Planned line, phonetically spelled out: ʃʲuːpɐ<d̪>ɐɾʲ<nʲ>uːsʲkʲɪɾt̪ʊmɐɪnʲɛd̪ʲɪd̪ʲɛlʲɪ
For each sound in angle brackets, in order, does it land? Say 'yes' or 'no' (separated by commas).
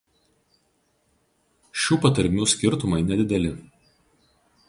no, no